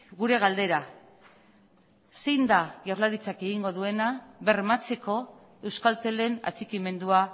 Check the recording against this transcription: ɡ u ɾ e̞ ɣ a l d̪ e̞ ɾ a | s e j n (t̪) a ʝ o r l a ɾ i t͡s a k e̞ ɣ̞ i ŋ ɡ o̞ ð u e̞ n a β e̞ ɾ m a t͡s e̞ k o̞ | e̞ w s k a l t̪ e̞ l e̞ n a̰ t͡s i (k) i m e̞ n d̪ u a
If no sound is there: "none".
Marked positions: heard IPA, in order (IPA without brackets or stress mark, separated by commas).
d̪, k